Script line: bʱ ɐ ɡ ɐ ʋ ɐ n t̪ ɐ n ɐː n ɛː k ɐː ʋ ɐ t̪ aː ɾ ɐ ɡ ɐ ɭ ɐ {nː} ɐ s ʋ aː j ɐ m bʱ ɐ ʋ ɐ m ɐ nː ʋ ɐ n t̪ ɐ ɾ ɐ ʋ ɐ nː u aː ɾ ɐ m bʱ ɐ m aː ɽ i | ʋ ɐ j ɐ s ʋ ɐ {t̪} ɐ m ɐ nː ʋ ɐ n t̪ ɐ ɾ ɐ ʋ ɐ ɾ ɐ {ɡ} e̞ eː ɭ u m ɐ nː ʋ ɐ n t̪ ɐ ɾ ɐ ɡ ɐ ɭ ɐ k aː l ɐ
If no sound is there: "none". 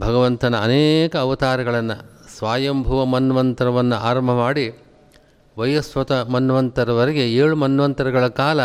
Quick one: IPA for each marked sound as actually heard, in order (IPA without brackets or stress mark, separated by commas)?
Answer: nː, t̪, ɡ